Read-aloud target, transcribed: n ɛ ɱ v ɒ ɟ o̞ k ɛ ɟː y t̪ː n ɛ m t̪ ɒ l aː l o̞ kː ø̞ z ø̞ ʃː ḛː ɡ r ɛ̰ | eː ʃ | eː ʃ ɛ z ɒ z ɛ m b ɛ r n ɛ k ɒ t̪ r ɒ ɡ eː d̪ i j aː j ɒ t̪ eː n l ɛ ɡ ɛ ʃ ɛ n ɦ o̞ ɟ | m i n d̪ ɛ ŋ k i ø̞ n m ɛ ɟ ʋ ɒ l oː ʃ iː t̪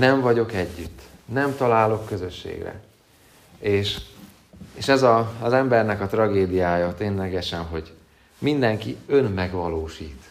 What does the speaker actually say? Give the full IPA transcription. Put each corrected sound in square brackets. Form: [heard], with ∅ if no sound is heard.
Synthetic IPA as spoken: n ɛ ɱ v ɒ ɟ o̞ k ɛ ɟː y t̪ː n ɛ m t̪ ɒ l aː l o̞ kː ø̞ z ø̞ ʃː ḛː ɡ r ɛ̰ | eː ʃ | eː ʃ ɛ z ɒ z ɛ m b ɛ r n ɛ k ɒ t̪ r ɒ ɡ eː d̪ i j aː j ɒ t̪ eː n l ɛ ɡ ɛ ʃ ɛ n ɦ o̞ ɟ | m i n d̪ ɛ ŋ k i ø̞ n m ɛ [ɡ] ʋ ɒ l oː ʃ iː t̪